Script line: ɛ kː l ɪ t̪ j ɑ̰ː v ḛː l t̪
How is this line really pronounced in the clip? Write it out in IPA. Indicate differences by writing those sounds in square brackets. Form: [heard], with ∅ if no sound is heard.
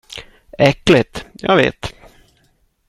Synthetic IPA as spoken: ɛ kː l ɪ t̪ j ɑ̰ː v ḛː [∅] t̪